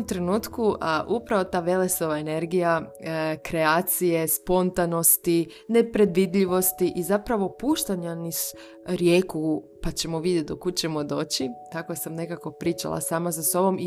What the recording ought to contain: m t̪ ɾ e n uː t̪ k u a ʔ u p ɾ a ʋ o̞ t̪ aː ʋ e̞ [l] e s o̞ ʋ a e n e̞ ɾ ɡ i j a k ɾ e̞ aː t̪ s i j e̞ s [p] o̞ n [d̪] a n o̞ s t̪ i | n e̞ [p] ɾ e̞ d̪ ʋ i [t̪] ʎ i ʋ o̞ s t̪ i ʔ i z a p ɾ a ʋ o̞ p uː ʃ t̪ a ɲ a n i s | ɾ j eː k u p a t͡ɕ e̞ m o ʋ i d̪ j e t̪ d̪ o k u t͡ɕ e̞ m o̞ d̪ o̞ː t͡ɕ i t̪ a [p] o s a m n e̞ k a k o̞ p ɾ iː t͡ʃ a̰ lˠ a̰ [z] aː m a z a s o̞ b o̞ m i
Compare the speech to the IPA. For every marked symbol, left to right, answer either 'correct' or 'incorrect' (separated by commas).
correct, correct, incorrect, correct, incorrect, incorrect, incorrect